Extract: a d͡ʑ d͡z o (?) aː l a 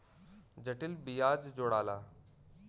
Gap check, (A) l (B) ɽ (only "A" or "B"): B